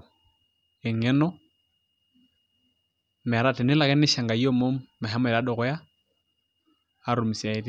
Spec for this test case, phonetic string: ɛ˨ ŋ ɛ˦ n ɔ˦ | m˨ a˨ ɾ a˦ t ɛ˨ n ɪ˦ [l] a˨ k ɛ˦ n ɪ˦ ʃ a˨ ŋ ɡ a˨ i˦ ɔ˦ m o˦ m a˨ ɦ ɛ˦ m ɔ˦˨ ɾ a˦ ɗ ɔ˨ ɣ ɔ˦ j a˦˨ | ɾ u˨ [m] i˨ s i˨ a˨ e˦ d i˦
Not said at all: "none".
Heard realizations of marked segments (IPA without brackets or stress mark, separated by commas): l, m